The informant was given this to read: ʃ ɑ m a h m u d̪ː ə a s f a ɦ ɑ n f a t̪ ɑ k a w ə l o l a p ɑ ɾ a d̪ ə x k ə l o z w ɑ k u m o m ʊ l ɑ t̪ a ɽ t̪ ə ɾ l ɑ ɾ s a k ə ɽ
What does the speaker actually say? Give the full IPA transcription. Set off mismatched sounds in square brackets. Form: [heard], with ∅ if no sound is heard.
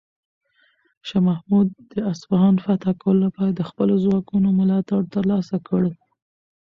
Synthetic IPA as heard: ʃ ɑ m a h m u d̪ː ə a s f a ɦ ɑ n f a t̪ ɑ k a w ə l o l a p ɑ ɾ a d̪ ə x [p] ə l o z w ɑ k u [n] o m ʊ l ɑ t̪ a ɽ t̪ ə ɾ l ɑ [∅] s a k ə ɽ